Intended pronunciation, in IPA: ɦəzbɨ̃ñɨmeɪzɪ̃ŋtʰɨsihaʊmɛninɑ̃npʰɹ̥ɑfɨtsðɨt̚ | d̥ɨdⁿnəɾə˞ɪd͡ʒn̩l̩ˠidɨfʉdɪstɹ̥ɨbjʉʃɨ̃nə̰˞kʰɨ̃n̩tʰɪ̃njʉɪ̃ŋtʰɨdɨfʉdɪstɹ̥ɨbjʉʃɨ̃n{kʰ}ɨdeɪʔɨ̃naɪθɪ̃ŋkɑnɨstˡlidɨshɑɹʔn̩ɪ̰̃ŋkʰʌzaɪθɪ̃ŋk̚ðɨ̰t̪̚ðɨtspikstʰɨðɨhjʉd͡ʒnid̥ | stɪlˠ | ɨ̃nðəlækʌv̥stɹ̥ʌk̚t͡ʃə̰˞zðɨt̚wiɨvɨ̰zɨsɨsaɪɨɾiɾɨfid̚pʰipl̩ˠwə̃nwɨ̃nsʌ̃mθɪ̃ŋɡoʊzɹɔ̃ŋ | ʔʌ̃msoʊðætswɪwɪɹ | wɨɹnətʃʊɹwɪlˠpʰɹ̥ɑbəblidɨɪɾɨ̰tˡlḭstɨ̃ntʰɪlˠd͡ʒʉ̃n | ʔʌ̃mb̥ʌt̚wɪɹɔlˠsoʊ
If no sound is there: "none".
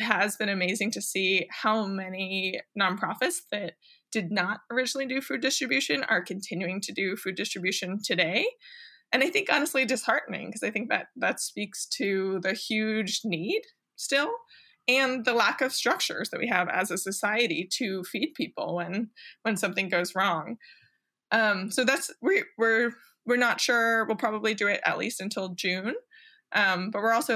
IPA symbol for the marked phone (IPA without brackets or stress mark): tʰ